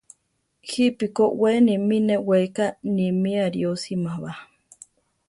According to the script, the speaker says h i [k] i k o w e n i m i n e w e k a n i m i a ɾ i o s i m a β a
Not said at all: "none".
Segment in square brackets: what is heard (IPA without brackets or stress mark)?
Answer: p